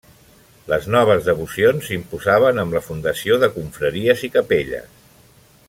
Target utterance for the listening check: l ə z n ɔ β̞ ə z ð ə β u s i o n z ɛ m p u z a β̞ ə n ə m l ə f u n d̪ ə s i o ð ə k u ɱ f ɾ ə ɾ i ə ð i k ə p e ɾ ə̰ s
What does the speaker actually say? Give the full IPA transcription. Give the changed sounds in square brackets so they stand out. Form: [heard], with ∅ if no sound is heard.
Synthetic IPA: l ə z n ɔ β̞ ə z ð ə β u s i o n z [i] m p u z a β̞ ə n ə m l ə f u n d̪ ə s i o ð ə k u ɱ f ɾ ə ɾ i ə [z] i k ə p e [ʎ] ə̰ s